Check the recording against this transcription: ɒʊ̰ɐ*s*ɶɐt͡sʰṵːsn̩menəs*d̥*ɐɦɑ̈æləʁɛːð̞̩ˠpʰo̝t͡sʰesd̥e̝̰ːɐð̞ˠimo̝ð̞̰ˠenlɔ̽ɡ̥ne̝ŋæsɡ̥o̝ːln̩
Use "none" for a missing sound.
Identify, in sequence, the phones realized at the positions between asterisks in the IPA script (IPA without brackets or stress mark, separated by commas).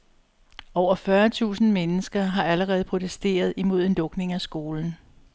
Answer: f, ɡ̥